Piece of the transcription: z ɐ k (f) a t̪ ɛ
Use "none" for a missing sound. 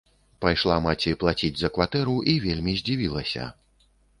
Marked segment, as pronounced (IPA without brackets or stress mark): v